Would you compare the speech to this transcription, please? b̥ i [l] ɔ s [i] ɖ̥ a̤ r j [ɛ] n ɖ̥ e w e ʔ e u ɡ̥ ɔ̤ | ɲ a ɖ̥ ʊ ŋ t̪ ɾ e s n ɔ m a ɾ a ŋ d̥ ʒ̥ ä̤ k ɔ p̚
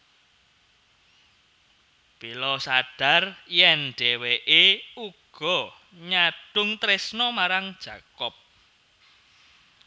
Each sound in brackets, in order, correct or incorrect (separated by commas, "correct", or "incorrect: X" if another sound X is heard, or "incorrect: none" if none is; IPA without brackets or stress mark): correct, incorrect: a, correct